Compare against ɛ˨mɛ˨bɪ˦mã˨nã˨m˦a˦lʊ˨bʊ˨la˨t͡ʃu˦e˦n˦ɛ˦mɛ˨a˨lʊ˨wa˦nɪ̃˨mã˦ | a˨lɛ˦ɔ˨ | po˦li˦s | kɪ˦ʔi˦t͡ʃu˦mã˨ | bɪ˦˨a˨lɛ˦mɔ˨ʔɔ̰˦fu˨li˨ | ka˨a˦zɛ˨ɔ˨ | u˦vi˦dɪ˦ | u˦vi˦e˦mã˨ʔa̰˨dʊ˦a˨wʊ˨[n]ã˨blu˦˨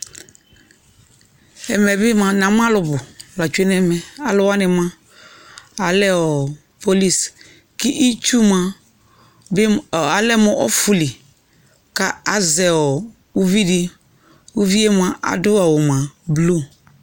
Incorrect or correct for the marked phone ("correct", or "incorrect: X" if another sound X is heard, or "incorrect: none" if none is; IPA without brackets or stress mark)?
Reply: incorrect: m